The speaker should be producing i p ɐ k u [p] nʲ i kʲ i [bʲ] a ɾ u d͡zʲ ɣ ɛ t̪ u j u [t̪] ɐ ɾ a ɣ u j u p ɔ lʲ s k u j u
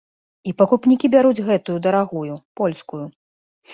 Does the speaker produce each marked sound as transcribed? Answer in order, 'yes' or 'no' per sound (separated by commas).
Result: yes, yes, no